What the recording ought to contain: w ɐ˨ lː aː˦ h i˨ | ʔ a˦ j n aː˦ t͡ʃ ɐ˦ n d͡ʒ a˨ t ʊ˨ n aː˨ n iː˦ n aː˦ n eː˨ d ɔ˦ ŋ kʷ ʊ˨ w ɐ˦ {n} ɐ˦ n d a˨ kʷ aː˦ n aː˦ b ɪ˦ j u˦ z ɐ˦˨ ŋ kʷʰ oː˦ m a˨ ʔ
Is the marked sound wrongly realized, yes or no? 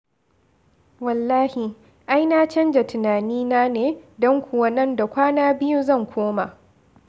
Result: no